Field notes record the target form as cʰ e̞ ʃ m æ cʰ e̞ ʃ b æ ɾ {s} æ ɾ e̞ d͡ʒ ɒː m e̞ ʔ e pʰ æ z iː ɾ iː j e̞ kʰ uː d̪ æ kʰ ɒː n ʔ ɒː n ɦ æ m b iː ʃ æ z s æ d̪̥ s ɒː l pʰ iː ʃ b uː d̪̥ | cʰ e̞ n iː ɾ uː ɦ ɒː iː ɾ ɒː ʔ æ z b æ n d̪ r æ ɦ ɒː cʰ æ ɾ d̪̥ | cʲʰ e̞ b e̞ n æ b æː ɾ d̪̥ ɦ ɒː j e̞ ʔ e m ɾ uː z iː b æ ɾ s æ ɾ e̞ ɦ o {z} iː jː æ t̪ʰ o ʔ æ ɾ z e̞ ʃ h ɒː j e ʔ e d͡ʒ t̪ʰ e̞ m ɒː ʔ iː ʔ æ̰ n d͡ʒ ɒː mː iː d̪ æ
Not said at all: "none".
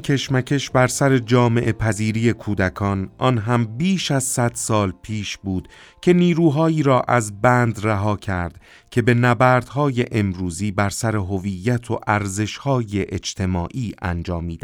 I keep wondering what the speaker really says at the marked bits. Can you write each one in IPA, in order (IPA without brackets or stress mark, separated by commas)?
s, v